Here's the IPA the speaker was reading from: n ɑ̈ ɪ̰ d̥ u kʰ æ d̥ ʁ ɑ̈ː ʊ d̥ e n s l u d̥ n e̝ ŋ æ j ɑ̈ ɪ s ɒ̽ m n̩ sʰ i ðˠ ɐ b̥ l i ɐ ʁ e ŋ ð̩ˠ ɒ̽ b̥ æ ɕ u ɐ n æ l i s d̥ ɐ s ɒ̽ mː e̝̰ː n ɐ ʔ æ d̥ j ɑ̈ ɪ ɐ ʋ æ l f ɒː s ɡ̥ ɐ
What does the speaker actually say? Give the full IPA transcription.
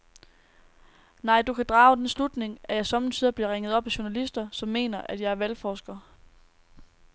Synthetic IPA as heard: n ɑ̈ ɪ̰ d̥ u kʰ æ d̥ ʁ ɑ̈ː ʊ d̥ e n s l u d̥ n e̝ ŋ æ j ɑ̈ ɪ s ɒ̽ m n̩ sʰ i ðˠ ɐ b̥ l i ɐ ʁ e ŋ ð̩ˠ ɒ̽ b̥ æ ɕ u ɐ n æ l i s d̥ ɐ s ɒ̽ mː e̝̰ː n ɐ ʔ æ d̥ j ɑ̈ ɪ ɐ ʋ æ l f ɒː s ɡ̥ ɐ